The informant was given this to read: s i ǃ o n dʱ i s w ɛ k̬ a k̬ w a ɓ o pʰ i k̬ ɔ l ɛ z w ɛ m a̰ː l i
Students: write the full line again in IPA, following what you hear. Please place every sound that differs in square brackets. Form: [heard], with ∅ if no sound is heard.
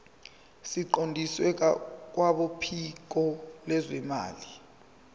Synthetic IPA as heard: s i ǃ o n dʱ i s w ɛ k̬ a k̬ w a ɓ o pʰ i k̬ ɔ l ɛ z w ɛ m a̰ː l i